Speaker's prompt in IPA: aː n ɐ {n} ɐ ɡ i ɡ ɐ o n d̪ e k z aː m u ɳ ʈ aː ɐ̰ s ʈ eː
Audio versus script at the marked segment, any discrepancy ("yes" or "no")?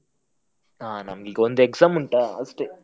yes